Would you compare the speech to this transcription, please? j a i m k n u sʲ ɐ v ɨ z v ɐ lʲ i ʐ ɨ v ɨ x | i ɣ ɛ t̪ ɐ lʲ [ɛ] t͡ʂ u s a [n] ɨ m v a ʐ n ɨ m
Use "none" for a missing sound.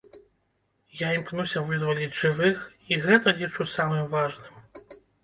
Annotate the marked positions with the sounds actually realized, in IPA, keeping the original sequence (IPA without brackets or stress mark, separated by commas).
i, m